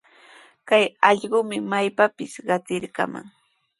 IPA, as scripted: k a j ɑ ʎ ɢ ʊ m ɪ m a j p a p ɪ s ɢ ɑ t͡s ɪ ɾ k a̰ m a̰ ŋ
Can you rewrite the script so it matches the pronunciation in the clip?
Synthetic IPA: k a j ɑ ʎ ɢ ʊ m ɪ m a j p a p ɪ s ɢ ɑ t͡s ɪ ɾ k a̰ m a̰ ŋ